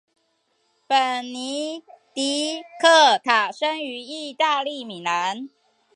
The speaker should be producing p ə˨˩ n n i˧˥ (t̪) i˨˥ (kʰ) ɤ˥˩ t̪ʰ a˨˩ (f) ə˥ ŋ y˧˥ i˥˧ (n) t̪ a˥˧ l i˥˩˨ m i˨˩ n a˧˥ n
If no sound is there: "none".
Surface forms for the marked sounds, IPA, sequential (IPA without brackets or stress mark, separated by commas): t̪, kʰ, ʂ, none